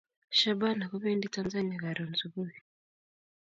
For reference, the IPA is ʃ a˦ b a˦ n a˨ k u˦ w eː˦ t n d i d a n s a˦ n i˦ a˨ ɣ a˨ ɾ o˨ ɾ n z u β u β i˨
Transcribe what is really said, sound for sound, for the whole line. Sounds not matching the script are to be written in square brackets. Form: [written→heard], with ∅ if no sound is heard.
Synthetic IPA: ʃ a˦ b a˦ n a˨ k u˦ [w→β] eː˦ [t→∅] n d i [d→t] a n [s→z] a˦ n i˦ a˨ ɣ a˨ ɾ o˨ [ɾ→∅] n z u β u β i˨